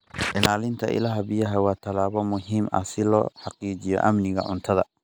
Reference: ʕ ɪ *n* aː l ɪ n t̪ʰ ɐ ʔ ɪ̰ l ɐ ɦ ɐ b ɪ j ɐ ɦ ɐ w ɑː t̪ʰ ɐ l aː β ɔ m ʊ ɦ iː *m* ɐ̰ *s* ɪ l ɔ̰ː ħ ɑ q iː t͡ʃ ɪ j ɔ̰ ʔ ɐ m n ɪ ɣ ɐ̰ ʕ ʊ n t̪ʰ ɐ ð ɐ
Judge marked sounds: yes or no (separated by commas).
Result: yes, yes, yes